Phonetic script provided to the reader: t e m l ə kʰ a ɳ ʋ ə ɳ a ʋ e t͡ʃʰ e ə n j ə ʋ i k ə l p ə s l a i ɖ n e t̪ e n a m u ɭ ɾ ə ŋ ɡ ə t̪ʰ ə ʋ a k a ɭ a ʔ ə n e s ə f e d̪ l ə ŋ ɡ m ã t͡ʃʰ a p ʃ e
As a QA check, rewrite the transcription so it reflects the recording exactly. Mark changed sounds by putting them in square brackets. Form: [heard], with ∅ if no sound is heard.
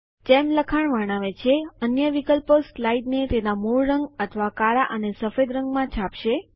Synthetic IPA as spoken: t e m l ə kʰ a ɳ ʋ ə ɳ a ʋ e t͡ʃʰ e ə n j ə ʋ i k ə l p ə s l a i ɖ n e t̪ e n a m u ɭ ɾ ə ŋ ɡ ə t̪ʰ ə ʋ a k a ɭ a ʔ ə n e s ə f e d̪ [ɾ] ə ŋ ɡ m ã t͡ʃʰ a p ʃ e